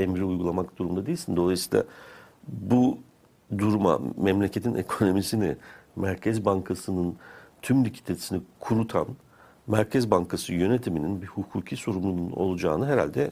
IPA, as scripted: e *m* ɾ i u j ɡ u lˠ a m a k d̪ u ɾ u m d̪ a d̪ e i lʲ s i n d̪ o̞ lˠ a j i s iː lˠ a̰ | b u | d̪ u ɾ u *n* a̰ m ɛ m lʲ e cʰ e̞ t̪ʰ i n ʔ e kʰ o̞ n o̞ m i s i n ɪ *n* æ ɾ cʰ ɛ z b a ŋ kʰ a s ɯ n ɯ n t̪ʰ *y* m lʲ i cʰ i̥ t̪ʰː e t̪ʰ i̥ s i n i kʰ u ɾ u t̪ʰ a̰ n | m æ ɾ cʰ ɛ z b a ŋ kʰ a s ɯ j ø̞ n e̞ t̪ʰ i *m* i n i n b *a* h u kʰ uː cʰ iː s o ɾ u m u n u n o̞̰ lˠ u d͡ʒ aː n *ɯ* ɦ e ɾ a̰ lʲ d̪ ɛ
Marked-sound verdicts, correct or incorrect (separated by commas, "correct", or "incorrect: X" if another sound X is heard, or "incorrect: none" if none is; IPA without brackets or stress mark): correct, incorrect: m, incorrect: m, correct, correct, incorrect: i, correct